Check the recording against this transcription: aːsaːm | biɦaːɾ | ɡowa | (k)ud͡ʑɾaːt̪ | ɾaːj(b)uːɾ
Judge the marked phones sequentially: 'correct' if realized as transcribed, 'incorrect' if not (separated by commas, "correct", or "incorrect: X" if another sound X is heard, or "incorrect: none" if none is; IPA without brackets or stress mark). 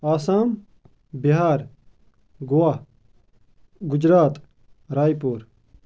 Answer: incorrect: ɡ, incorrect: p